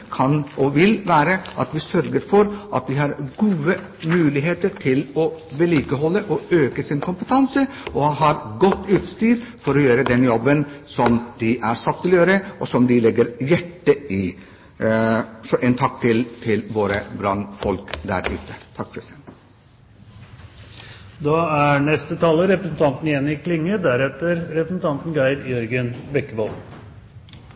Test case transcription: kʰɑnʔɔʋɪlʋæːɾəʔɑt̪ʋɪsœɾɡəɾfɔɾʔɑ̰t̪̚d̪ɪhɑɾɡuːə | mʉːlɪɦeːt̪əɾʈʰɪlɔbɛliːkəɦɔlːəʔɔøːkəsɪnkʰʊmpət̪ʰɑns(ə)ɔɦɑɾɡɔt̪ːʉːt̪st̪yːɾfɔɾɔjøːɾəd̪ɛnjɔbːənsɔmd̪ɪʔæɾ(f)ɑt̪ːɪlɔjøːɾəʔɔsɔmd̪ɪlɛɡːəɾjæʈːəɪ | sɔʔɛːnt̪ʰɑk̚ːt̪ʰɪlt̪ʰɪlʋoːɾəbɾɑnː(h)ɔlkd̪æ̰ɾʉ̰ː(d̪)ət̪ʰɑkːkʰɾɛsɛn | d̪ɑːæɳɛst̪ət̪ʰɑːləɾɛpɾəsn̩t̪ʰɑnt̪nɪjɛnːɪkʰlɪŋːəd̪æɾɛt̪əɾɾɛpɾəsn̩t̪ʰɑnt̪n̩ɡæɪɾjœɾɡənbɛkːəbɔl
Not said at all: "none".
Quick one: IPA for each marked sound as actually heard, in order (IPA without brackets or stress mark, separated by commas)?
ə, s, f, t̪